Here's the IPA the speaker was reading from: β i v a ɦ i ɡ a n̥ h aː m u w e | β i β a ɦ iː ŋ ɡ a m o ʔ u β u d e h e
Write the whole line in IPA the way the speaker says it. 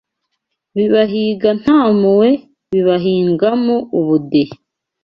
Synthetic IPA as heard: β i β a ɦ i ɡ a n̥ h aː m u w e | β i β a ɦ iː ŋ ɡ a m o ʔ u β u d e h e